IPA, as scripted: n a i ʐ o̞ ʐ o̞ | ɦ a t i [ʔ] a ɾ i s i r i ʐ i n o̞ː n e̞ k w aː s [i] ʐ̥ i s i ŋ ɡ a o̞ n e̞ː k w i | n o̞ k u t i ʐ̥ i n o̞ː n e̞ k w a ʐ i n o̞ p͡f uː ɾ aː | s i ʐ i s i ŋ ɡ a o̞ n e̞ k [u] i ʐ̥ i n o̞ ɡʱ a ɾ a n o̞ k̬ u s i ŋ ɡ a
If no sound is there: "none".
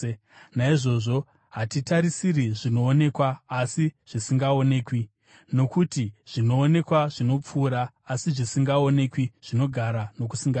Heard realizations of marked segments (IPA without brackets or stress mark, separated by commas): t, i, w